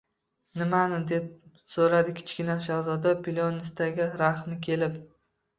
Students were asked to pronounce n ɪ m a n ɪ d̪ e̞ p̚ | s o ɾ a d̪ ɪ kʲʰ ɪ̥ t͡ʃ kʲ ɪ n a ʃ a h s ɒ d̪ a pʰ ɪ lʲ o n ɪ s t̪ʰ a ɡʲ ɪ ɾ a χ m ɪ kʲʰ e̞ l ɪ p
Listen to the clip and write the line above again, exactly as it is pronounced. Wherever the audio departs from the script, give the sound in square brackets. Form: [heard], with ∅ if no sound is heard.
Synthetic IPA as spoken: n ɪ m a n ɪ d̪ e̞ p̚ | s o ɾ a d̪ ɪ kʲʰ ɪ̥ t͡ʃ kʲ ɪ n a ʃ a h [z] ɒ d̪ a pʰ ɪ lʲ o n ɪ s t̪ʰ a ɡʲ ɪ ɾ a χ m ɪ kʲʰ e̞ l ɪ p